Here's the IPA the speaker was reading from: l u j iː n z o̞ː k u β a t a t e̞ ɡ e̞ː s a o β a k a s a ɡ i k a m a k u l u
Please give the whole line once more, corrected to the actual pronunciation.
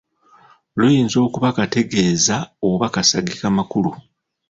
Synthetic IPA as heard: l u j iː n z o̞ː k u β a k a t e̞ ɡ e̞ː z a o β a k a s a ɡ i k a m a k u l u